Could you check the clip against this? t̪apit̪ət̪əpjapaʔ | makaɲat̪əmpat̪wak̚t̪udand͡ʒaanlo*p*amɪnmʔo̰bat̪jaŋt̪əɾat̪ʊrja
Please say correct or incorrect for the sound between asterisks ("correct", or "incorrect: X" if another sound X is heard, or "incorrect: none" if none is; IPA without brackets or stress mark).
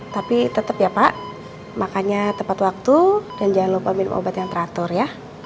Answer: correct